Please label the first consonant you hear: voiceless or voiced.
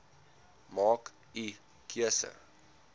voiced